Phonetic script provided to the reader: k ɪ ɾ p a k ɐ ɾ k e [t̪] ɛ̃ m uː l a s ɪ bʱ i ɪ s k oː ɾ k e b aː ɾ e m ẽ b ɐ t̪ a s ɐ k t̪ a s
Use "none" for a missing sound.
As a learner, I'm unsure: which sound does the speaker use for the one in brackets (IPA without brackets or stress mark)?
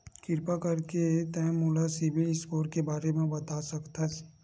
t̪